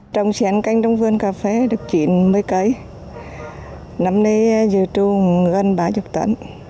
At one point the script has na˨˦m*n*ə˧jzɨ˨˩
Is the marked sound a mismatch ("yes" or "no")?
no